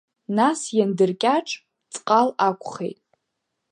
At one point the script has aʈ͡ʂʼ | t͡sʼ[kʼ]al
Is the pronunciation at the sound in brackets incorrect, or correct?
incorrect